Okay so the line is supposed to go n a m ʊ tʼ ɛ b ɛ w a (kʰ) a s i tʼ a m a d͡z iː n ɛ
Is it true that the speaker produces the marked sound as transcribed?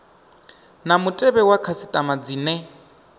yes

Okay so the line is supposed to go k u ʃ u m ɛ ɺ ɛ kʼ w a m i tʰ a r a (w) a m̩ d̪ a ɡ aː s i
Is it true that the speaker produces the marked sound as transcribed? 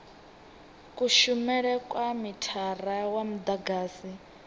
yes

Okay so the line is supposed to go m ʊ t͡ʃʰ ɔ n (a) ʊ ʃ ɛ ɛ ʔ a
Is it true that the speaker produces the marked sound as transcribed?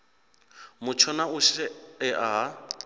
yes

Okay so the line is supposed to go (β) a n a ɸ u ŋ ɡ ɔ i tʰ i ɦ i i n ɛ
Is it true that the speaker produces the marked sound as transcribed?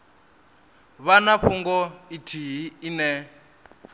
yes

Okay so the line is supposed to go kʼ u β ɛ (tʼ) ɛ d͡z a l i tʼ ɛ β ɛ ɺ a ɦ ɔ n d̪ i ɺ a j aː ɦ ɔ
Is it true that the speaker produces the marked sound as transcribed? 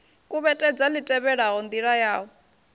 yes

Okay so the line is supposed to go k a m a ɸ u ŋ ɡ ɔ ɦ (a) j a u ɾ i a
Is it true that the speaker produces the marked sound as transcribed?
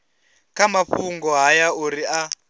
yes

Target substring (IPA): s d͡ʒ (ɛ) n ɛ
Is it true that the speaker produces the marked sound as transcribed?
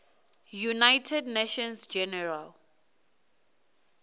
yes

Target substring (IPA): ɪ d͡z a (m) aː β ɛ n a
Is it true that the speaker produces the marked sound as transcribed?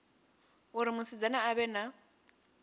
no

